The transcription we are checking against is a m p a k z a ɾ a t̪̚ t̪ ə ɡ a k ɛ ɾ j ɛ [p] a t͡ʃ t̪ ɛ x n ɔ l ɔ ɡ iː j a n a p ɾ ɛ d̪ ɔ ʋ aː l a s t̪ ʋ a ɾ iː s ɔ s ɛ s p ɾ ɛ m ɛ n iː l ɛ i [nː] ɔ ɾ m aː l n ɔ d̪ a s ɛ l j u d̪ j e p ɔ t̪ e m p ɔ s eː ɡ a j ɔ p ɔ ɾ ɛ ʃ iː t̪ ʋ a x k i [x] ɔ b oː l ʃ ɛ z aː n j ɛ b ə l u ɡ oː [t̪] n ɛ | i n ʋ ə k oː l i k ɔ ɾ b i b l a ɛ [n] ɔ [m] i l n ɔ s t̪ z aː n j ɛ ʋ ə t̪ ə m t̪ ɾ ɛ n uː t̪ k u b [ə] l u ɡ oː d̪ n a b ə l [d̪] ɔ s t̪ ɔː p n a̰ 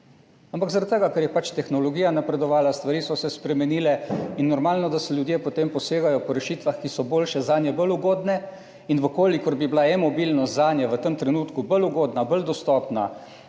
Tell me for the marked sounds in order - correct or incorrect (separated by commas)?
correct, correct, incorrect, incorrect, incorrect, incorrect, correct, correct